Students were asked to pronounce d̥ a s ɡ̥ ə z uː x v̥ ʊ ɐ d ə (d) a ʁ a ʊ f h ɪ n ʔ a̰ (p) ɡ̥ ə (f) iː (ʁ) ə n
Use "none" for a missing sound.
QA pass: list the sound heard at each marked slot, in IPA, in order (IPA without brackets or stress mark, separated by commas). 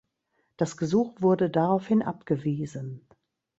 d, p, v, z